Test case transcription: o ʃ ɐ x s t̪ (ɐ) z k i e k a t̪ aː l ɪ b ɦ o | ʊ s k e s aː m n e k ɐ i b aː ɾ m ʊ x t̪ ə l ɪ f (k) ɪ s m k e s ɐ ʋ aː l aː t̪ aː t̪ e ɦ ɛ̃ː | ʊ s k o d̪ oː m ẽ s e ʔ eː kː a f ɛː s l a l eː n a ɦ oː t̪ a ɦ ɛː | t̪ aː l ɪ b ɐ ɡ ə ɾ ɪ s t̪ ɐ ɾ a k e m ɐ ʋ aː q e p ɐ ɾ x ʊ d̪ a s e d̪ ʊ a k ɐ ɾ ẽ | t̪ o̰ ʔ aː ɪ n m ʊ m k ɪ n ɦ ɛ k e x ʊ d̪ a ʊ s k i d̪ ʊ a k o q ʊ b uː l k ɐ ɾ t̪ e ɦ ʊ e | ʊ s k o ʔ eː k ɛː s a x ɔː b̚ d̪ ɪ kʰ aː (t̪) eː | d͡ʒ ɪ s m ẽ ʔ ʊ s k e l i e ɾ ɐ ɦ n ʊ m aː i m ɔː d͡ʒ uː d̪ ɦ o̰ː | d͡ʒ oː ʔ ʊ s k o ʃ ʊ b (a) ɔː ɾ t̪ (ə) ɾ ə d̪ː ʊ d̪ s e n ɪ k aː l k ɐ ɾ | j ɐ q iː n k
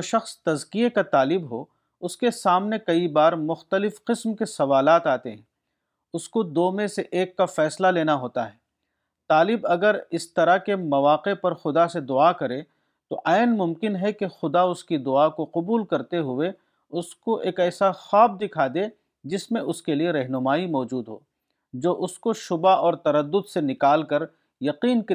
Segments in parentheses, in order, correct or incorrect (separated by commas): correct, incorrect, incorrect, correct, incorrect